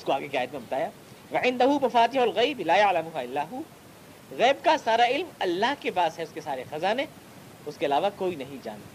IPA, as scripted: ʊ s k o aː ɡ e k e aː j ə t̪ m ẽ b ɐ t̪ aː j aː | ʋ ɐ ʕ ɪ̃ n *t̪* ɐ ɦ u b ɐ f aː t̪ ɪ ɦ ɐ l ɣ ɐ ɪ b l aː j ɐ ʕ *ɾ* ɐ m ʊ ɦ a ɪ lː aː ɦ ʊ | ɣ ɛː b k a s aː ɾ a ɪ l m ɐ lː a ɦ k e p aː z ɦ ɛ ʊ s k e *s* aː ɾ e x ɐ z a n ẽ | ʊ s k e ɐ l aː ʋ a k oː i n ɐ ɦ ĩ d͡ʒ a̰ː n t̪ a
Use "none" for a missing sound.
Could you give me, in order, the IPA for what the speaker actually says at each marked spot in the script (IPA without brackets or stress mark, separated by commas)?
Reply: d̪, l, s